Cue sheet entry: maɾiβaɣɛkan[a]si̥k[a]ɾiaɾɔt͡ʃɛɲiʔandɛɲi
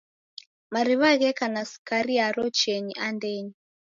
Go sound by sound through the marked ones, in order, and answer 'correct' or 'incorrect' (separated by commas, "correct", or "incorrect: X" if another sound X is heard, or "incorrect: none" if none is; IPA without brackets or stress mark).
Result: correct, correct